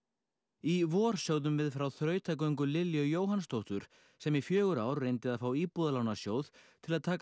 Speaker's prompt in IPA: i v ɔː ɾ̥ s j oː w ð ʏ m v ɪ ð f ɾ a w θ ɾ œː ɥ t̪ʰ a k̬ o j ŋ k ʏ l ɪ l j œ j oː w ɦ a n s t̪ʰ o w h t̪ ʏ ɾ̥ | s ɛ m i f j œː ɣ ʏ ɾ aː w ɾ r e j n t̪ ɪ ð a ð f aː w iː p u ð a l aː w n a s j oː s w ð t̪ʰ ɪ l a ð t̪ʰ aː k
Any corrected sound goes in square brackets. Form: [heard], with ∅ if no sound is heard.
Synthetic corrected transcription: i v ɔː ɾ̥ s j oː w ð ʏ m v ɪ ð f ɾ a w θ ɾ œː ɥ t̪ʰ a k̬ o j ŋ k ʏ l ɪ l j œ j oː w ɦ a n s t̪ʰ o w h t̪ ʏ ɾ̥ | s ɛ m i f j œː ɣ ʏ ɾ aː w ɾ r e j n t̪ ɪ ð a ð f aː w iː p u ð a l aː w n a s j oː [∅] w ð t̪ʰ ɪ l a ð t̪ʰ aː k